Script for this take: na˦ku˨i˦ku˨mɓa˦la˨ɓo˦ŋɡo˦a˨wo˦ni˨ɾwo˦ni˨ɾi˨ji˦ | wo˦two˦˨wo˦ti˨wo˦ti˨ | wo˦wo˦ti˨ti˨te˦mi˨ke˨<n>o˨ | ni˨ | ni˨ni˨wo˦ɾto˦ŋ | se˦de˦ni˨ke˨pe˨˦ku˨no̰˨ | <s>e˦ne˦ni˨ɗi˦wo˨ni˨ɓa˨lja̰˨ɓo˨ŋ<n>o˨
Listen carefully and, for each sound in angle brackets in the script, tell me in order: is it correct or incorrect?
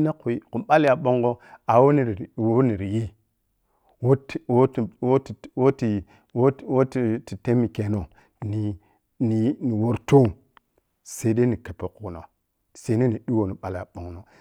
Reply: correct, correct, correct

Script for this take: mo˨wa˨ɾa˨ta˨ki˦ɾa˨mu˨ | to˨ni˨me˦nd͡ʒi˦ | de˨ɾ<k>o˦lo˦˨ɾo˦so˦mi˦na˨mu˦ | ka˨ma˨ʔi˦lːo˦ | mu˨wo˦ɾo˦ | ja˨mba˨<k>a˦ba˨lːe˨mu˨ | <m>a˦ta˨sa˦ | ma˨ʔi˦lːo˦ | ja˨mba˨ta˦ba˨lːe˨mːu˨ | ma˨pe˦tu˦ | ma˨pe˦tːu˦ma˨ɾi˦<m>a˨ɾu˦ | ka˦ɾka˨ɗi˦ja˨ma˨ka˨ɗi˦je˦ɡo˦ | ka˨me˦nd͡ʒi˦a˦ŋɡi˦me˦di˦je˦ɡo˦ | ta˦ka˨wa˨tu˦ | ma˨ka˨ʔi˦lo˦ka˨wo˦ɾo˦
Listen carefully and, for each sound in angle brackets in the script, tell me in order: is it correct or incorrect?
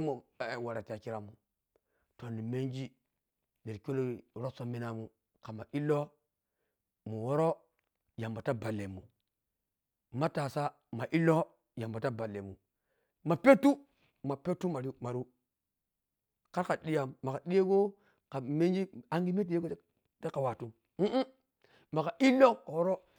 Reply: correct, incorrect: t, correct, correct

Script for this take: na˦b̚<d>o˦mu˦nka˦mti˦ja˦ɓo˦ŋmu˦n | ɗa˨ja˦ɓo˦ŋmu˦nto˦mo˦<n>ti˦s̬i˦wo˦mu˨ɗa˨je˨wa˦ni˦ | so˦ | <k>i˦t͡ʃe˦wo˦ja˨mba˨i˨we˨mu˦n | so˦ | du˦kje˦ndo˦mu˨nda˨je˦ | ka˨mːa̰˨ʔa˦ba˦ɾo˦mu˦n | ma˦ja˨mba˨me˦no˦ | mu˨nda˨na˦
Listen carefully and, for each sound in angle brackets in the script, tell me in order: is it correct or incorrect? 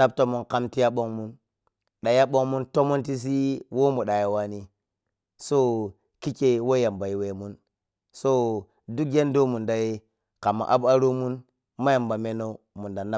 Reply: incorrect: t, correct, correct

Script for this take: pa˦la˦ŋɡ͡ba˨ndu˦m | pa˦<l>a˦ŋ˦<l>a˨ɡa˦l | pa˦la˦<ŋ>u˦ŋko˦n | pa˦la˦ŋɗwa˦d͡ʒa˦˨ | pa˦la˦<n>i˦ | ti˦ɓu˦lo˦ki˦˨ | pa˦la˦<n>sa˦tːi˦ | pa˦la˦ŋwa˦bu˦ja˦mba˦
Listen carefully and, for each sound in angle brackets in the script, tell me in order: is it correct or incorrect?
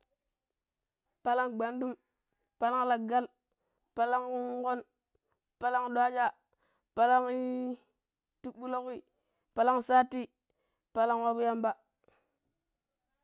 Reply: correct, correct, correct, incorrect: ŋ, incorrect: ŋ

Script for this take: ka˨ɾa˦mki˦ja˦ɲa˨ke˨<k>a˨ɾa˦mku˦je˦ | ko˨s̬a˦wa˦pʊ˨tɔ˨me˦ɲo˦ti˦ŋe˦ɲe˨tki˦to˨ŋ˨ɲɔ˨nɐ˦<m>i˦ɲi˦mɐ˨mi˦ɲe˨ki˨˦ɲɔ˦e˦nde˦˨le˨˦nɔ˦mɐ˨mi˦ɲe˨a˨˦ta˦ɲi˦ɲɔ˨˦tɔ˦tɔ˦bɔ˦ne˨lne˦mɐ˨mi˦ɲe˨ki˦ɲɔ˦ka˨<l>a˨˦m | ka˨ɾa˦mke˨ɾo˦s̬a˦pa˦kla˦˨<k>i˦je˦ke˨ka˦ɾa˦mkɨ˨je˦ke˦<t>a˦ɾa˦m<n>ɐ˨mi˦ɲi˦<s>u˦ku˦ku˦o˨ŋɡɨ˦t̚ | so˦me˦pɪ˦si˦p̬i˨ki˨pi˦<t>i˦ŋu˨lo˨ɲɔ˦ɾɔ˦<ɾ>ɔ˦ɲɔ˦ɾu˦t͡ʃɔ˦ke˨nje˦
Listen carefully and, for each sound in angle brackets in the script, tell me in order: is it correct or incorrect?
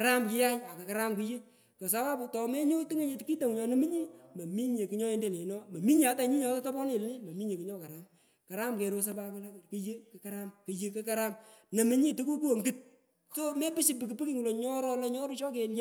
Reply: correct, correct, incorrect: ɾ, correct, incorrect: k, correct, incorrect: t, incorrect: k, incorrect: l

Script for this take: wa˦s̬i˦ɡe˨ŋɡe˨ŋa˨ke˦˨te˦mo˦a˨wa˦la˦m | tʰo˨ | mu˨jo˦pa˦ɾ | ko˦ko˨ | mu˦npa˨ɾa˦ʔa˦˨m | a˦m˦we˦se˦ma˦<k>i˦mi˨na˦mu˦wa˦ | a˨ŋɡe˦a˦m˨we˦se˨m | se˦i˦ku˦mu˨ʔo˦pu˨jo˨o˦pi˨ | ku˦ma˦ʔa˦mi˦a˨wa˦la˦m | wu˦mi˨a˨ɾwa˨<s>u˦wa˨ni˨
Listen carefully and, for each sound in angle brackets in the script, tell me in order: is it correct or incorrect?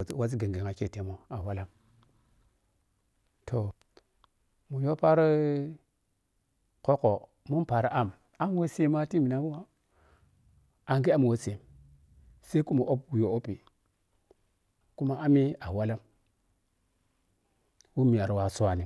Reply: incorrect: t, correct

